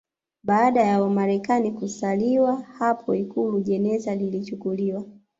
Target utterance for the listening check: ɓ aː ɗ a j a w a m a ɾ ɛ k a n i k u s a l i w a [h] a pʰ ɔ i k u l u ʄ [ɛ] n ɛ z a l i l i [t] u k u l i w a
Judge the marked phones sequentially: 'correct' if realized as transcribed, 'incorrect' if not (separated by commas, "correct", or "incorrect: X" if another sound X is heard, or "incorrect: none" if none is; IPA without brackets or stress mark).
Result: correct, correct, incorrect: t͡ʃ